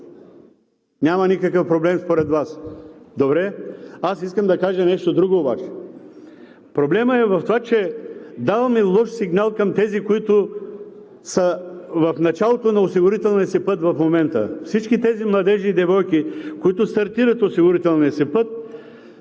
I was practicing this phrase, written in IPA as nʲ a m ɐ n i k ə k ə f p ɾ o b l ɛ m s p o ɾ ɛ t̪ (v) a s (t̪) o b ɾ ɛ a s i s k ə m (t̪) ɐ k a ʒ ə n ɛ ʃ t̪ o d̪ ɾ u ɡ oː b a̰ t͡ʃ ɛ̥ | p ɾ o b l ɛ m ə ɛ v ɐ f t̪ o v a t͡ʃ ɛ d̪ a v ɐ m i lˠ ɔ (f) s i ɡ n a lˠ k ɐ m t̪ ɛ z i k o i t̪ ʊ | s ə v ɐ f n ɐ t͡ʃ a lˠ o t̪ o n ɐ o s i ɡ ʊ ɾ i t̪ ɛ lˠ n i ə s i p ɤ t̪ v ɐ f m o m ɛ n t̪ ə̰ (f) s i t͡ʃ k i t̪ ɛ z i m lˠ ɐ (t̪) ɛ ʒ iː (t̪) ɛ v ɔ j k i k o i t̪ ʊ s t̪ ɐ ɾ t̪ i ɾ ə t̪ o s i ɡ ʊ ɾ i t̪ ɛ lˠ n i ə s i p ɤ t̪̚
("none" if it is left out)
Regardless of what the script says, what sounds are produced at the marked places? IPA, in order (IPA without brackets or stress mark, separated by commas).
v, d̪, d̪, ʃ, f, d̪, d̪